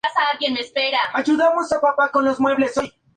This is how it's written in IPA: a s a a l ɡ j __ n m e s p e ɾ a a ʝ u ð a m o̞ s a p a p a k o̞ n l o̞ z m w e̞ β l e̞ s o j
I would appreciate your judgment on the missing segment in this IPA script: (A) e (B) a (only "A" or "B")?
A